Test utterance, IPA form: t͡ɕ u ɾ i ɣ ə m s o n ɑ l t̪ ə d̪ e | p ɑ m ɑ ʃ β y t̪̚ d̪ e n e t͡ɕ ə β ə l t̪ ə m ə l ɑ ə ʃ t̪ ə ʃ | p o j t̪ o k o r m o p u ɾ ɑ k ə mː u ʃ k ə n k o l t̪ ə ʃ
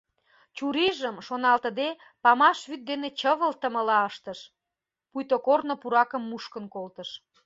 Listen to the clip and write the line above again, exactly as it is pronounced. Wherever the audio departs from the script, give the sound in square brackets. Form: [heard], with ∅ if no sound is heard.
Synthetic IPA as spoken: t͡ɕ u ɾ i [ʒ] ə m [ʃ] o n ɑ l t̪ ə d̪ e | p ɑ m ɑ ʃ β y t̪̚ d̪ e n e t͡ɕ ə β ə l t̪ ə m ə l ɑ ə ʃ t̪ ə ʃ | p [u] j t̪ o k o r [n] o p u ɾ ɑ k ə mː u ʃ k ə n k o l t̪ ə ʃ

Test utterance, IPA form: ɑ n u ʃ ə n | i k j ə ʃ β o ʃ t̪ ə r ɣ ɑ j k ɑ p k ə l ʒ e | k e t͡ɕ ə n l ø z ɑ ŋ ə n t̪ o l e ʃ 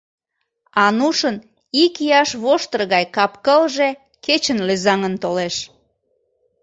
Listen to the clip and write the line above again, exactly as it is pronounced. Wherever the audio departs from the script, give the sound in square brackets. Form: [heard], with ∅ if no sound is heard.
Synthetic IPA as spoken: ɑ n u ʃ ə n | i k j [ɑ] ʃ β o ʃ t̪ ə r ɣ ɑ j k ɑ p k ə l ʒ e | k e t͡ɕ ə n l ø z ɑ ŋ ə n t̪ o l e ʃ

